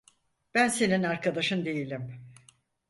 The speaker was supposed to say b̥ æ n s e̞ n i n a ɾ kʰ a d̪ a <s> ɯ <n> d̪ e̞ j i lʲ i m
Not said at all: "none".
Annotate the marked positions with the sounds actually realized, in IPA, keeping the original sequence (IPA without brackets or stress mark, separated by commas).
ʃ, n